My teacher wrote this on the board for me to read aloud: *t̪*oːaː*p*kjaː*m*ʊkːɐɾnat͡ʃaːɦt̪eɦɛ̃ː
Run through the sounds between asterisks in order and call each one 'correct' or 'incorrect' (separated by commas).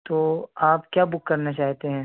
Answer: correct, correct, incorrect